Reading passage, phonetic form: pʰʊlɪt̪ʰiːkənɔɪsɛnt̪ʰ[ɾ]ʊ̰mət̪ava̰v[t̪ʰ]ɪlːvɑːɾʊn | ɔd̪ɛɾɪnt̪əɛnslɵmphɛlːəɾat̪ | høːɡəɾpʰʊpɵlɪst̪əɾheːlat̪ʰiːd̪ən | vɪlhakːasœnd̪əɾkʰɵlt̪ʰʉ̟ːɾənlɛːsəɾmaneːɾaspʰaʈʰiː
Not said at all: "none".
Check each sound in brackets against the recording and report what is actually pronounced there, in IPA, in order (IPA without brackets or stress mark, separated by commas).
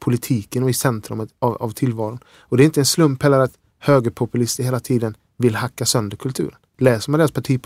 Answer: ɾ, t̪ʰ